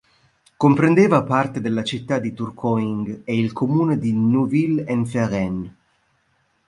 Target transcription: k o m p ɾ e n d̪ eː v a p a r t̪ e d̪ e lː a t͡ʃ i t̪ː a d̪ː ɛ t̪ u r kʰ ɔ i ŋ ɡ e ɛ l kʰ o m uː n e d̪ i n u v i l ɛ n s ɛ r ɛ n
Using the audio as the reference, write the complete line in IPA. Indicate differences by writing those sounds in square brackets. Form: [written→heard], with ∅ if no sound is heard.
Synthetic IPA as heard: k o m p ɾ e n d̪ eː v a p a r t̪ e d̪ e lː a t͡ʃ i t̪ː a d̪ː [ɛ→i] t̪ u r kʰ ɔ i ŋ ɡ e [ɛ→i] l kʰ o m uː n e d̪ i n u v i l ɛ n [s→f] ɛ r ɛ n